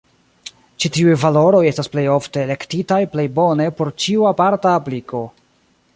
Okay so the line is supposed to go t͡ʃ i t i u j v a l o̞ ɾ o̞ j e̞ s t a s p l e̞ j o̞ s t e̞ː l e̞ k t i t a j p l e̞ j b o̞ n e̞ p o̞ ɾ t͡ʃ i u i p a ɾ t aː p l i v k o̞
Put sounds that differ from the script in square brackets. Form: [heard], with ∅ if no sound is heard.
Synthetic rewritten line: t͡ʃ i t i u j v a l o̞ ɾ o̞ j e̞ s t a s p l e̞ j o̞ [f] t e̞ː l e̞ k t i t a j p l e̞ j b o̞ n e̞ p o̞ ɾ t͡ʃ i u [a] p a ɾ t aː p l i [∅] k o̞